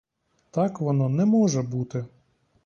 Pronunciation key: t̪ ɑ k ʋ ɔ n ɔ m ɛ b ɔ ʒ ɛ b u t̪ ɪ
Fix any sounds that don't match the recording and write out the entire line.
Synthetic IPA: t̪ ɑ k ʋ ɔ n ɔ n ɛ m ɔ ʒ ɛ b u t̪ ɪ